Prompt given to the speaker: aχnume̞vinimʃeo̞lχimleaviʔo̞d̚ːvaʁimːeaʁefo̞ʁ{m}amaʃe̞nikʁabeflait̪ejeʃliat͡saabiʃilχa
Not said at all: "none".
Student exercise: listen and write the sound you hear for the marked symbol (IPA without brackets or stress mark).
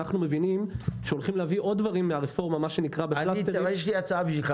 m